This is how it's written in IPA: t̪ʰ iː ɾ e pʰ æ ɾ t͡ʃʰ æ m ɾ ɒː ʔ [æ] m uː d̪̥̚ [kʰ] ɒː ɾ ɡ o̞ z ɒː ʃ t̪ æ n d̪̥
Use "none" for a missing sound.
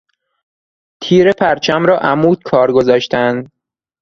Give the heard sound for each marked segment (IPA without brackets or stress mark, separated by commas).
æ, kʰ